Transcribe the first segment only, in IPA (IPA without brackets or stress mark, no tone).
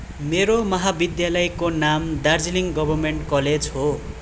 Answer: m